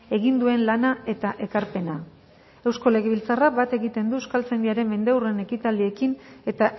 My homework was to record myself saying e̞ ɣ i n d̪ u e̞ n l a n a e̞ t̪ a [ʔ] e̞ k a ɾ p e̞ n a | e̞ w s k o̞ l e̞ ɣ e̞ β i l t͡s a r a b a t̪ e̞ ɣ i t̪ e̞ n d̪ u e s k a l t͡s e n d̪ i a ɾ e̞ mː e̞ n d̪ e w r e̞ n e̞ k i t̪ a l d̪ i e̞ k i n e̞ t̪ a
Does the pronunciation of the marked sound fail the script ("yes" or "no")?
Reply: no